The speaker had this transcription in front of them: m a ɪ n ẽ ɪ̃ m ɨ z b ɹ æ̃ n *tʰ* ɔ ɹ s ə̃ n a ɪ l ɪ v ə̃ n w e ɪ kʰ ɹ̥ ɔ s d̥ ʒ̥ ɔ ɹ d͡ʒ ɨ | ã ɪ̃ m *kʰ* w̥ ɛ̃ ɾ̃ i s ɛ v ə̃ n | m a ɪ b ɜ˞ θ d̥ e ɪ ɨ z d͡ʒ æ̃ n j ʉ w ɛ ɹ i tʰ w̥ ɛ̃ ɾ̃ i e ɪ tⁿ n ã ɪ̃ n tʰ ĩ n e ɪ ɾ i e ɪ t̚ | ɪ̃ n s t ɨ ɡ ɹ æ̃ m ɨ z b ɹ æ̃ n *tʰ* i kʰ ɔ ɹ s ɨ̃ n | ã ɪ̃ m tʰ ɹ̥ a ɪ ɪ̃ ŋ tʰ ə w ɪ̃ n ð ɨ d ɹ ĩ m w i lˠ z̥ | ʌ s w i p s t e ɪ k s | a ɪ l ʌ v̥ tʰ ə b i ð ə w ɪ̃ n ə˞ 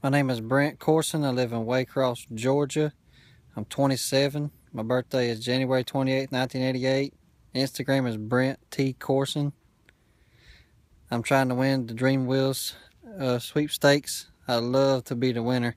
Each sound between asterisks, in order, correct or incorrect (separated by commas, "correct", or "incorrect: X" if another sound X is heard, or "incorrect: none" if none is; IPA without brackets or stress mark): incorrect: kʰ, incorrect: tʰ, correct